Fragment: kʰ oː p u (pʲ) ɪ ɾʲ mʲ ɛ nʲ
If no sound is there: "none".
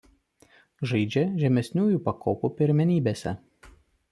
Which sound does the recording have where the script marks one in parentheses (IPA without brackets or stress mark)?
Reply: pʲ